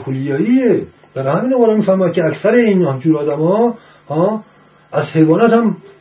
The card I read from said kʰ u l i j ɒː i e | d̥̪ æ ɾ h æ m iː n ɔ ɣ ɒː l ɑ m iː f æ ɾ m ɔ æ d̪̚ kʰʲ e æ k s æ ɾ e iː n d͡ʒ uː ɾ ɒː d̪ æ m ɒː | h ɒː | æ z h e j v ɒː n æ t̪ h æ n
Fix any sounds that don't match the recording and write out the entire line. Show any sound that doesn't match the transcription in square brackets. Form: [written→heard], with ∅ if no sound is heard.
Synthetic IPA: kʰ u l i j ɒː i e | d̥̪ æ ɾ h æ m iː n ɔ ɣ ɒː [l→ɾ] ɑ m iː f æ ɾ m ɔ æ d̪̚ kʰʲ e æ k s æ ɾ e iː n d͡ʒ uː ɾ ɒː d̪ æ m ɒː | h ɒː | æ z h e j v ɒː n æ t̪ h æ [n→m]